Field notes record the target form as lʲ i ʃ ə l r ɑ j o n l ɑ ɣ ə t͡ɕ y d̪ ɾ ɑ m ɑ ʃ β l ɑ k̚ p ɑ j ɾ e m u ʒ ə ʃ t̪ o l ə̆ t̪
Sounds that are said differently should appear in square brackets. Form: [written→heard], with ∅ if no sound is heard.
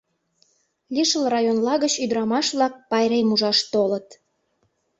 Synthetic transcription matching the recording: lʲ i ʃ ə l r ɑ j o n l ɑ ɣ ə t͡ɕ y d̪ ɾ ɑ m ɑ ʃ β l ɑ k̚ p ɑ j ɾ e m u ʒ [ə→ɑ] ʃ t̪ o l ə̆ t̪